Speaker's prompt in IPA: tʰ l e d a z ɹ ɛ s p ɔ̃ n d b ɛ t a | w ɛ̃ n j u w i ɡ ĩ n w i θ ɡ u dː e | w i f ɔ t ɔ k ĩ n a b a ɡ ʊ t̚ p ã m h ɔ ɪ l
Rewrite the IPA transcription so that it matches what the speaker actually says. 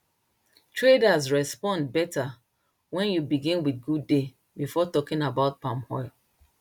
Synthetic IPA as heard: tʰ ɹ e d a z ɹ ɛ s p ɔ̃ n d b ɛ t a | w ɛ̃ n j u b i ɡ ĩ n w i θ ɡ u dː e | b i f ɔ t ɔ k ĩ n a b a ʊ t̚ p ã m h ɔ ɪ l